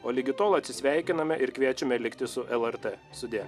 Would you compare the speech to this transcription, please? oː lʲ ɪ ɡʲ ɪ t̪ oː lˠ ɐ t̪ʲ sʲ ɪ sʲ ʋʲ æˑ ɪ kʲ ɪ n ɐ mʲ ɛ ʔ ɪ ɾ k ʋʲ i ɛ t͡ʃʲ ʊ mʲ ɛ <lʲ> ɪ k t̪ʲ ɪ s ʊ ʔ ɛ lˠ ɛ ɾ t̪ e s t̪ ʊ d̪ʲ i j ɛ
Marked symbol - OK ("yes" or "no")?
yes